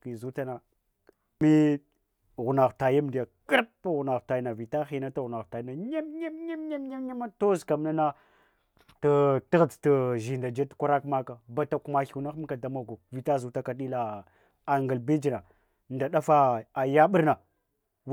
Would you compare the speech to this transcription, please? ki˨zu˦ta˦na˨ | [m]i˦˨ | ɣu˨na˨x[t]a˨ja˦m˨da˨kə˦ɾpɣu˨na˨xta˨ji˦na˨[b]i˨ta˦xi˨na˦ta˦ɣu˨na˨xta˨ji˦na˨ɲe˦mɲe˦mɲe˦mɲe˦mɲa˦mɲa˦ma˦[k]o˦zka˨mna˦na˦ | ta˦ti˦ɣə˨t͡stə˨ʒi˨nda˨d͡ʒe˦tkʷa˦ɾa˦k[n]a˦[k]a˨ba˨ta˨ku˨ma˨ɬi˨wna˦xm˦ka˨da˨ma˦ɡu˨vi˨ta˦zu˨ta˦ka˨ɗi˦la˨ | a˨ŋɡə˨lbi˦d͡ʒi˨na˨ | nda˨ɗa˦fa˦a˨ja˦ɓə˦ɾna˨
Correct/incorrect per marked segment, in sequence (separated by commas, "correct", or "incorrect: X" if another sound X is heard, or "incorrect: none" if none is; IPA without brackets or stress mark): correct, correct, incorrect: v, incorrect: t, incorrect: m, correct